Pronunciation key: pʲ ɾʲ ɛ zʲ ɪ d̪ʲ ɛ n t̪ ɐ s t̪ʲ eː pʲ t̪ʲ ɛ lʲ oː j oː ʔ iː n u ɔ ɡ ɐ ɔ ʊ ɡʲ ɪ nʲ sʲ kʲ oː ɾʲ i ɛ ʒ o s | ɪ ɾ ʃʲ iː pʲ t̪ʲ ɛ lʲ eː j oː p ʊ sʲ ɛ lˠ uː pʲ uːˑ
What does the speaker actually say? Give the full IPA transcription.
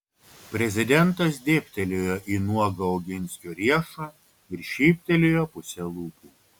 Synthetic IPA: pʲ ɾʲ ɛ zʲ ɪ d̪ʲ ɛ n t̪ ɐ s d̪ʲ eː pʲ t̪ʲ ɛ lʲ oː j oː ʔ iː n u ɔ ɡ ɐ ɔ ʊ ɡʲ ɪ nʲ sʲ kʲ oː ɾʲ i ɛ ʃ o | ɪ ɾ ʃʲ iː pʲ t̪ʲ ɛ lʲ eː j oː p ʊ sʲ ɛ lˠ uː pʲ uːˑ